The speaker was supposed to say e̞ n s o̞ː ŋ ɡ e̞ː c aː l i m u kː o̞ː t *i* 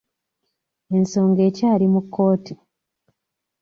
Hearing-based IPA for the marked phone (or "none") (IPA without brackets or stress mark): i